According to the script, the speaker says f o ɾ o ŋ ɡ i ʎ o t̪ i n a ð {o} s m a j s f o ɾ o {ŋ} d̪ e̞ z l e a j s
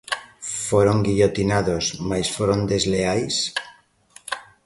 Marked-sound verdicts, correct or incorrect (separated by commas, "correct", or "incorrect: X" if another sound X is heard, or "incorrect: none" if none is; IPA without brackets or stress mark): correct, incorrect: n